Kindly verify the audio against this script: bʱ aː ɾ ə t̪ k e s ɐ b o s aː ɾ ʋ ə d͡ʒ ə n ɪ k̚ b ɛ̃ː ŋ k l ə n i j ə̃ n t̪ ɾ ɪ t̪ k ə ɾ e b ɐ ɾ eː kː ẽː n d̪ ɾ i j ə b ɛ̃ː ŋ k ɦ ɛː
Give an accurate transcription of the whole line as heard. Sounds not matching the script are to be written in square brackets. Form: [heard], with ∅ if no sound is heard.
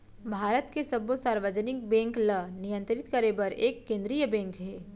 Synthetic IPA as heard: bʱ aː ɾ ə t̪ k e s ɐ b o s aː ɾ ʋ ə d͡ʒ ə n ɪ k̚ b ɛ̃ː ŋ k l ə n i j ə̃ n t̪ ɾ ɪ t̪ k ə ɾ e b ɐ ɾ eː kː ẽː n d̪ ɾ i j ə b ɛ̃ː ŋ k ɦ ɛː